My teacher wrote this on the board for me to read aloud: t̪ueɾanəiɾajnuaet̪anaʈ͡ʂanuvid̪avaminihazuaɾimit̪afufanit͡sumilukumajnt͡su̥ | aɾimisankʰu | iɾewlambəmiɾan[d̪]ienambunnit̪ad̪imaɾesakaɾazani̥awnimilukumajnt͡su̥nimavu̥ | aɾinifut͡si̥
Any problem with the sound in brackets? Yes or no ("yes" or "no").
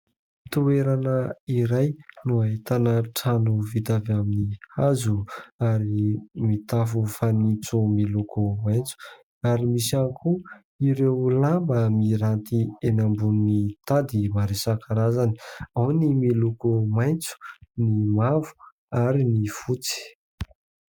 yes